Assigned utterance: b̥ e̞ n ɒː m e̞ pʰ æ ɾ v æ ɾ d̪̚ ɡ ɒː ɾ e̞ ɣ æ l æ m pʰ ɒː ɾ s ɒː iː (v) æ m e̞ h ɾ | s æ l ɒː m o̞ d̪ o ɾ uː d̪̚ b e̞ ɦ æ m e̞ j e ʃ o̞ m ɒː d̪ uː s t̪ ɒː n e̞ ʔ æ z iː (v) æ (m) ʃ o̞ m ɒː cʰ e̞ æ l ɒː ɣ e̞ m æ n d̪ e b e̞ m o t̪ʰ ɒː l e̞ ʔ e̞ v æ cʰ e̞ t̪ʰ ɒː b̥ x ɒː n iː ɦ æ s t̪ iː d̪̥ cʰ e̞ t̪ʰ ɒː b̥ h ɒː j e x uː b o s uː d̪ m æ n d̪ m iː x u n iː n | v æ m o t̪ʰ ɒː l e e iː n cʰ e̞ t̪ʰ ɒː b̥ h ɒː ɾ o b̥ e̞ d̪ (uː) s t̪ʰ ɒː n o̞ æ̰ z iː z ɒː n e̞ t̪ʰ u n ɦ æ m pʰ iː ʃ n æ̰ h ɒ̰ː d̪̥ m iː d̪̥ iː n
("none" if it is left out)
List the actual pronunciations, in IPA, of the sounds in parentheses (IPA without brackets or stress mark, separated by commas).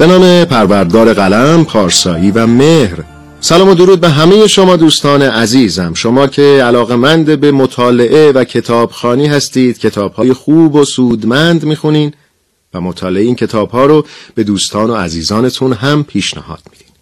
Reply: v, z, m, uː